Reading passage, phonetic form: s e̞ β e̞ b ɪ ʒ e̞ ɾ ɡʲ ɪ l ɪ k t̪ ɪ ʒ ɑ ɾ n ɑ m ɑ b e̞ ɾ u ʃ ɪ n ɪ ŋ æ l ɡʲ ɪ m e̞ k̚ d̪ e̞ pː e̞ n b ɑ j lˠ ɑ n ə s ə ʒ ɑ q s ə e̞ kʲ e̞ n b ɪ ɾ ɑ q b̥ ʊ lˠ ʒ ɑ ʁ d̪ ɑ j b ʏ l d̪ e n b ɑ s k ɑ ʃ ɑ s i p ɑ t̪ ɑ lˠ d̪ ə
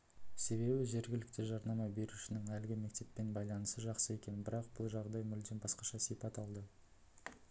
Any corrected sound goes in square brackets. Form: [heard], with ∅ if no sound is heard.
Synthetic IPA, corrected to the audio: s e̞ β e̞ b ɪ ʒ e̞ ɾ ɡʲ ɪ l ɪ k t̪ ɪ ʒ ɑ ɾ n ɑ m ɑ b e̞ ɾ u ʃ ɪ n ɪ ŋ æ l ɡʲ ɪ m e̞ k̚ [t̪] e̞ pː e̞ n b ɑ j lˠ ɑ n ə s ə ʒ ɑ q s ə e̞ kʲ e̞ n b ɪ ɾ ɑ q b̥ ʊ lˠ ʒ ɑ ʁ d̪ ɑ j [m] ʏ l d̪ e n b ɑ s [q] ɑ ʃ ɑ s i p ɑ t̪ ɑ lˠ d̪ ə